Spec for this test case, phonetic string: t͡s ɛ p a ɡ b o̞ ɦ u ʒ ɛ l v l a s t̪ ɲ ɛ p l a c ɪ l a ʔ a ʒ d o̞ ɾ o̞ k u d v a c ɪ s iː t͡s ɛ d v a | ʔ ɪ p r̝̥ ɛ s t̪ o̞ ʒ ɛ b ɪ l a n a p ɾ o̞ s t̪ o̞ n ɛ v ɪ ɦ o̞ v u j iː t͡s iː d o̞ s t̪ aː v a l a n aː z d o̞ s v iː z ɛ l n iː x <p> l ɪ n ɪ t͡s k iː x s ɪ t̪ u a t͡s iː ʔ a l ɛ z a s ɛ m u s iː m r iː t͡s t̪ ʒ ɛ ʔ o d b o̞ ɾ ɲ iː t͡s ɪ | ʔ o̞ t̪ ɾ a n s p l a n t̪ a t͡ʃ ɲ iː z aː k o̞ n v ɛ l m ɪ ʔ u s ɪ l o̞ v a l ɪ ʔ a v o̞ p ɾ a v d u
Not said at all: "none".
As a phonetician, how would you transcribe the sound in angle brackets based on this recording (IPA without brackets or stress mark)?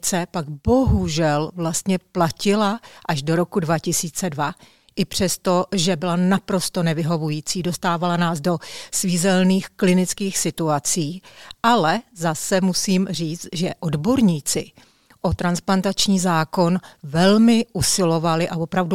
k